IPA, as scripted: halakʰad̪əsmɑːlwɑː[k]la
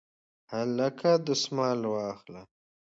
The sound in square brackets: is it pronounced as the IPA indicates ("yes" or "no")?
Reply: no